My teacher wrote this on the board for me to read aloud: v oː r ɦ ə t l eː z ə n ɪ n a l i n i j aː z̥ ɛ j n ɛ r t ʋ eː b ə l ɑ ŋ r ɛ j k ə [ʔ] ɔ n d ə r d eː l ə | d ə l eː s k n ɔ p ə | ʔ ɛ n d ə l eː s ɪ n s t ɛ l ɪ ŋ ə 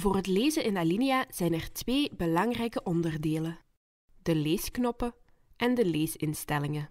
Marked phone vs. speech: correct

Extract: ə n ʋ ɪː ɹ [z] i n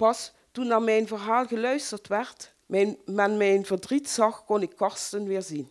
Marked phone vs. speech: correct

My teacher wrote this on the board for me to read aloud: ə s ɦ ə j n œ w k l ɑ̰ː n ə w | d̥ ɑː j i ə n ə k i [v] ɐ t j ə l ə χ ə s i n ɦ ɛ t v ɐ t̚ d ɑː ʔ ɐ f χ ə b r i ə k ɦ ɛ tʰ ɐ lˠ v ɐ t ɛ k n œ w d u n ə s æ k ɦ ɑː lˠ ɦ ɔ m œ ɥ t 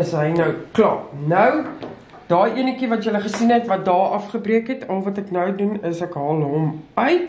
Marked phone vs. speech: correct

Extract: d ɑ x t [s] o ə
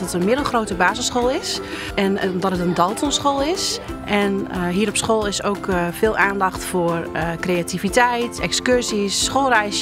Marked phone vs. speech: incorrect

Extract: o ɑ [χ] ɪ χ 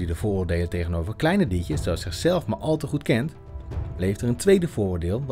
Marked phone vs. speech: incorrect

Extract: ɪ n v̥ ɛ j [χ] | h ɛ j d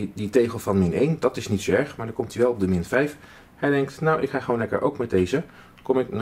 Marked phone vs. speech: incorrect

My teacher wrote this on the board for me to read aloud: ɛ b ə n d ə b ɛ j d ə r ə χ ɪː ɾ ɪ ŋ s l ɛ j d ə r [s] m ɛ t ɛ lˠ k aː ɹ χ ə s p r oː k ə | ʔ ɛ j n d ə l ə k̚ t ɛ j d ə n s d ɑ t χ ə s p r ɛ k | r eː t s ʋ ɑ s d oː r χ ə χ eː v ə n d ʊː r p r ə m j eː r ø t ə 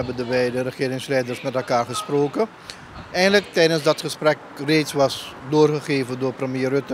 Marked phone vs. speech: correct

